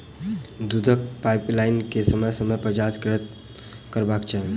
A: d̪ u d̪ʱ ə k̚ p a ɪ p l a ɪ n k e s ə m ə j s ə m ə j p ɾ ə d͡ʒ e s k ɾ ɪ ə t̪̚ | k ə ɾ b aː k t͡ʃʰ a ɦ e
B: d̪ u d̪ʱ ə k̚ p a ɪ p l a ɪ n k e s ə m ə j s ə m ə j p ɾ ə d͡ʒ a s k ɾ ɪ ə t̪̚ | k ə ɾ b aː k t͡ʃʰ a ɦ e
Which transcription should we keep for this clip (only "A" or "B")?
B